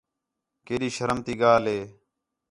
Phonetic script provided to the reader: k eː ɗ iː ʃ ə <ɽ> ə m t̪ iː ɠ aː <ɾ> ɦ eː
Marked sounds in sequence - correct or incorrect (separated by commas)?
incorrect, incorrect